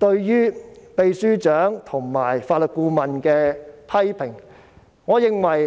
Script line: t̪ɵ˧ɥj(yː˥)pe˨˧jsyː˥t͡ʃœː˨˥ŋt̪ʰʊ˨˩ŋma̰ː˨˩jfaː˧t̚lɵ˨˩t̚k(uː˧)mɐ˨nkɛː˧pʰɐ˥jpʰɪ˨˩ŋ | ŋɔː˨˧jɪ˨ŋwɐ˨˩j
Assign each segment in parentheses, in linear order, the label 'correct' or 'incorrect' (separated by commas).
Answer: correct, correct